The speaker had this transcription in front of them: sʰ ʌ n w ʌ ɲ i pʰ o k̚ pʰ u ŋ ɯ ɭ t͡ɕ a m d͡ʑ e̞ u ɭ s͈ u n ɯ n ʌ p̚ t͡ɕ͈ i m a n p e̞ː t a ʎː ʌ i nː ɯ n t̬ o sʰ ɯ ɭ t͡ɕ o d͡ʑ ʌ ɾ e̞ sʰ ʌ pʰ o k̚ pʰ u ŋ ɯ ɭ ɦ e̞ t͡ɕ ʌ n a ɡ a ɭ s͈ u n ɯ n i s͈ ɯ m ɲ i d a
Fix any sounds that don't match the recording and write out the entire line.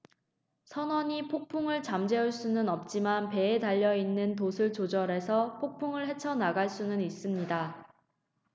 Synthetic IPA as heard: sʰ ʌ n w ʌ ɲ i pʰ o k̚ pʰ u ŋ ɯ ɭ t͡ɕ a m d͡ʑ e̞ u ɭ s͈ u n ɯ n ʌ p̚ t͡ɕ͈ i m a n p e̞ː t a ʎː ʌ i nː ɯ n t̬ o sʰ ɯ ɭ t͡ɕ o d͡ʑ ʌ ɾ e̞ sʰ ʌ pʰ o k̚ pʰ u ŋ ɯ ɭ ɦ e̞ t͡ɕʰ ʌ n a ɡ a ɭ s͈ u n ɯ n i s͈ ɯ m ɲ i d a